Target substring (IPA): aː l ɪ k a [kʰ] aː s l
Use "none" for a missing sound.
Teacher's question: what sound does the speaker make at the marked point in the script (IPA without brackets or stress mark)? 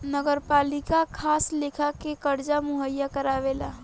kʰ